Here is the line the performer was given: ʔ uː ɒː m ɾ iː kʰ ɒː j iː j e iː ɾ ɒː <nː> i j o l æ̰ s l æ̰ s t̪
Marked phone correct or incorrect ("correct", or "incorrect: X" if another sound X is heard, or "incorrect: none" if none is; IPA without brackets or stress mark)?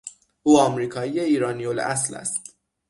incorrect: n